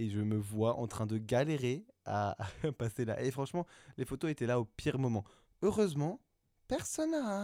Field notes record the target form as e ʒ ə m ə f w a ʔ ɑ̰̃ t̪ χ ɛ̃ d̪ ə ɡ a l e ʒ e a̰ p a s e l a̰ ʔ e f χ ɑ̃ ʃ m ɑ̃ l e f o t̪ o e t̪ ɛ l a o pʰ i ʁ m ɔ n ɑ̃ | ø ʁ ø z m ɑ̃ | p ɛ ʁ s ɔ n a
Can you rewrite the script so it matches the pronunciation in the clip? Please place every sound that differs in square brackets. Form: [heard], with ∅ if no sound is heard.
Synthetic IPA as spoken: e ʒ ə m ə [v] w a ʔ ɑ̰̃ t̪ χ ɛ̃ d̪ ə ɡ a l e [ʁ] e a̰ p a s e l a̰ ʔ e f χ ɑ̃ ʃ m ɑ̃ l e f o t̪ o e t̪ ɛ l a o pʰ i ʁ m ɔ [m] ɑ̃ | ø ʁ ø z m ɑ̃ | p ɛ ʁ s ɔ n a